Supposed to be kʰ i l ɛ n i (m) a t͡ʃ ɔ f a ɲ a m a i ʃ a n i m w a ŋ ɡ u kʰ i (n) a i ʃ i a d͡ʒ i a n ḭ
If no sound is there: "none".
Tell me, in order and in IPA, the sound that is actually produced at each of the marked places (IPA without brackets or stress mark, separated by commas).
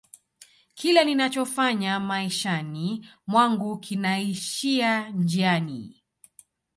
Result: n, n